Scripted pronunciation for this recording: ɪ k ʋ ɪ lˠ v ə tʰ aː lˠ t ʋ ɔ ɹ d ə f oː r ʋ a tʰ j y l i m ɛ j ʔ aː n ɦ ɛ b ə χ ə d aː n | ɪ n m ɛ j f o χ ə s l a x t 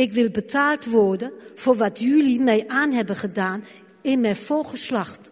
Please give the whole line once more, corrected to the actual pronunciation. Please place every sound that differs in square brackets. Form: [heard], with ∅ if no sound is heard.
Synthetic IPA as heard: ɪ k ʋ ɪ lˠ [b] ə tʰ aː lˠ t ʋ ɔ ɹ d ə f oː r ʋ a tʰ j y l i m ɛ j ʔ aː n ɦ ɛ b ə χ ə d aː n | ɪ n m ɛ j f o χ ə s l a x t